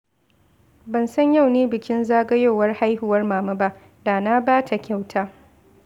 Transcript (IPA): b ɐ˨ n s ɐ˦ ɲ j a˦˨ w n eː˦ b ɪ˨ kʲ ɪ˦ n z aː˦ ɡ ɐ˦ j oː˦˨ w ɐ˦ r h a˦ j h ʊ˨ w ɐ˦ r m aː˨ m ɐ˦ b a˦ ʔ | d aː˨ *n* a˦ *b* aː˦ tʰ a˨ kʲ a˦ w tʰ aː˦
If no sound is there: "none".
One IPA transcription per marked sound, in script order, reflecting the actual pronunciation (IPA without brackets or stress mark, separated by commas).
n, b